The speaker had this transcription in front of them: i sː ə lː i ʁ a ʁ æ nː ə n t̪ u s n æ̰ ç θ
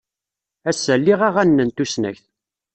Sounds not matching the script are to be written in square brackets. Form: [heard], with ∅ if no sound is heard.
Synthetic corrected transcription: [æ] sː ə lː i ʁ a ʁ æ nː ə n t̪ u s n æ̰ ç θ